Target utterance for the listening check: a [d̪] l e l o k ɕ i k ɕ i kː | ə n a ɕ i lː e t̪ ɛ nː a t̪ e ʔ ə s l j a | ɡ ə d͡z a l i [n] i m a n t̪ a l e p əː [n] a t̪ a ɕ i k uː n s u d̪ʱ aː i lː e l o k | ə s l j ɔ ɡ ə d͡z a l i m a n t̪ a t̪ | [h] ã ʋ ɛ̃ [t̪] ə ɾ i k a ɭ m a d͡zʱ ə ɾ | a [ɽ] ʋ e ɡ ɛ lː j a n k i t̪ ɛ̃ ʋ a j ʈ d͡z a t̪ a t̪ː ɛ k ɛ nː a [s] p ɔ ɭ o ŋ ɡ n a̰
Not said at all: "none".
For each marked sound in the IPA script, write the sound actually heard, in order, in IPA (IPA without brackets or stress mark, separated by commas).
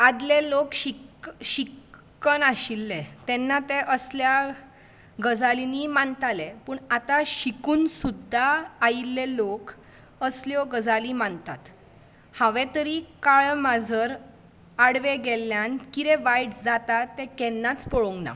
d̪, n, ɳ, h, t̪, ɽ, t͡s